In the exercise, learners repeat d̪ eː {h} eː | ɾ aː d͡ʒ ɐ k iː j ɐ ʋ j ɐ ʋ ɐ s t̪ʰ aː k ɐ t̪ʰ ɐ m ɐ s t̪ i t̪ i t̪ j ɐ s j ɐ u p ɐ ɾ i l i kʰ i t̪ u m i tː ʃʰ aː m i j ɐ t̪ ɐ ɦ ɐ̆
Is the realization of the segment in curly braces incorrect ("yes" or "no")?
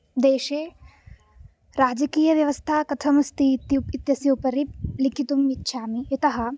yes